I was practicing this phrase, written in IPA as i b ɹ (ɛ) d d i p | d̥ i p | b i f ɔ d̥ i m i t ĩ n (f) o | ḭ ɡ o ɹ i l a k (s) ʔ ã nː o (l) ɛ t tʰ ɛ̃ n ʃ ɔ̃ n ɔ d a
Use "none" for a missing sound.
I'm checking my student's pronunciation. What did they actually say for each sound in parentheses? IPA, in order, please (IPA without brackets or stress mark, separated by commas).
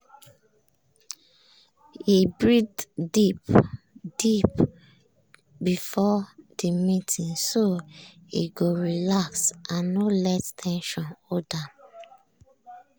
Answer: i, s, s, l